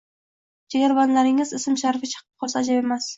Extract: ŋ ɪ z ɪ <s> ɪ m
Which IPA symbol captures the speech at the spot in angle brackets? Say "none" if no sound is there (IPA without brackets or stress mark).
s